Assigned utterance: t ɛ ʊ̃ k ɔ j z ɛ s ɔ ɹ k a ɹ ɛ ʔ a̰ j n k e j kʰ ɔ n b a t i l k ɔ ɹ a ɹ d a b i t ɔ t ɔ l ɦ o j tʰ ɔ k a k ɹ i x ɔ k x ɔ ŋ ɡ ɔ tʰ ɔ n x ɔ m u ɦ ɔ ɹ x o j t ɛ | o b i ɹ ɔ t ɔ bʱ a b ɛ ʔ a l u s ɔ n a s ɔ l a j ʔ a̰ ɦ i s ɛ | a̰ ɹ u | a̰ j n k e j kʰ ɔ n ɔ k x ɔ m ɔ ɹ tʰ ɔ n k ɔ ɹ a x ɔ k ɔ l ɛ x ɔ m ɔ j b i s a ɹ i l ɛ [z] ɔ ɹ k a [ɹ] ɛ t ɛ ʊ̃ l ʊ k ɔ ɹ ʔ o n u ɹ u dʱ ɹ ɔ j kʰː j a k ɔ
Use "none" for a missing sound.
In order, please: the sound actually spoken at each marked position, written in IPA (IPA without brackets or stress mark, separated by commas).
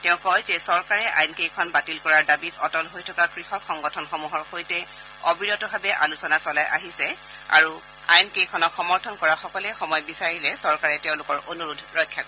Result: s, ɹ